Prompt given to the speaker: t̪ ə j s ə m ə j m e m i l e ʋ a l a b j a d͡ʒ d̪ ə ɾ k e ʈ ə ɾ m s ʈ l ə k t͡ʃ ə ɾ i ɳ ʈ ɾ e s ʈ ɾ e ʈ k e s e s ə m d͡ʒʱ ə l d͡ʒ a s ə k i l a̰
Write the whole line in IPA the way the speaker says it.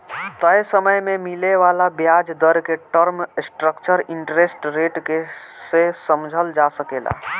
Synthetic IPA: t̪ ə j s ə m ə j m e m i l e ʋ a l a b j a d͡ʒ d̪ ə ɾ k e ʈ ə ɾ m s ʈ ɾ ə k t͡ʃ ə ɾ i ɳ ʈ ɾ e s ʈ ɾ e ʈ k e s e s ə m d͡ʒʱ ə l d͡ʒ a s ə k e l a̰